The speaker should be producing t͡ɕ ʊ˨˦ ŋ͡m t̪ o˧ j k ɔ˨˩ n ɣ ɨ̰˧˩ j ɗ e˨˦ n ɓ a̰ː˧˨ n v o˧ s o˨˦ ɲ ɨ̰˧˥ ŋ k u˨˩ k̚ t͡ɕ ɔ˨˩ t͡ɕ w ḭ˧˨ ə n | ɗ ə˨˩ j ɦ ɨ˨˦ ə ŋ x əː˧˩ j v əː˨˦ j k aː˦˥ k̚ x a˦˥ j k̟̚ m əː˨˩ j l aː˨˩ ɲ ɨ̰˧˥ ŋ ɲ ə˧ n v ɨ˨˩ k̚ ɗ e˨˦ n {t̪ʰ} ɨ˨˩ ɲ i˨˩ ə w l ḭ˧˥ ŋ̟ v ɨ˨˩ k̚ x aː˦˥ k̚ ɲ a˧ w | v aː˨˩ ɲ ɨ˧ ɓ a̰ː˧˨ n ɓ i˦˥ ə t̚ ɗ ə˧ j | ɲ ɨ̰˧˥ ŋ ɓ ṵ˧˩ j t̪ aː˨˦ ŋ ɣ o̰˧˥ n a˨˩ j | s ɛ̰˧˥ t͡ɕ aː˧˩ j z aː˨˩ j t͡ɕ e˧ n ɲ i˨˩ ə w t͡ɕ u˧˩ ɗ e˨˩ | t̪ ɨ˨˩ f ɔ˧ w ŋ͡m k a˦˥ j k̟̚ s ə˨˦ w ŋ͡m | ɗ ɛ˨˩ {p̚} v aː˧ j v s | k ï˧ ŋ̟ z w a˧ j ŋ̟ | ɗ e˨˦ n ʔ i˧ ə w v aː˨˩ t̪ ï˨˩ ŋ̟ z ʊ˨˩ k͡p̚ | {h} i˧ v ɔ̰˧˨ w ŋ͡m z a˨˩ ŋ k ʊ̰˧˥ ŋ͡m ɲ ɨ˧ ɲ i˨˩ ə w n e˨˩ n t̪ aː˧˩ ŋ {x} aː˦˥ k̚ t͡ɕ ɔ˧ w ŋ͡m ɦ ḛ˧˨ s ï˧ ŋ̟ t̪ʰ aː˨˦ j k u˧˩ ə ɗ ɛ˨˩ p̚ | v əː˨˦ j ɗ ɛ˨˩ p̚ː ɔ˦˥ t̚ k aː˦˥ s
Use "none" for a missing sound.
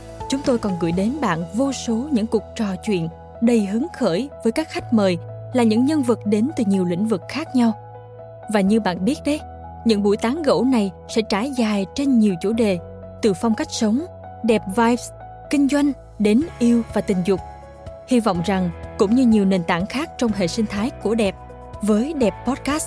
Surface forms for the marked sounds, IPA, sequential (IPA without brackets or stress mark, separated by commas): t̪, p̚, h, x